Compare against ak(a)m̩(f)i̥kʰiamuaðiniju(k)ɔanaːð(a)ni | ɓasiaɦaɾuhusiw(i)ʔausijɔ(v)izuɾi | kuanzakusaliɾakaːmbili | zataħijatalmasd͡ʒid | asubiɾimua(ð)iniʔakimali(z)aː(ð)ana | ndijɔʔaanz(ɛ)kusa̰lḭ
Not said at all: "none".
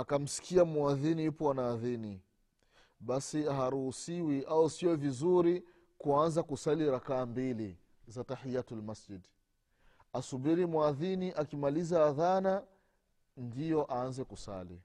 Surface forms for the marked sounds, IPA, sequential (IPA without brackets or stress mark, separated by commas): a, s, p, i, i, v, ð, z, ð, ɛ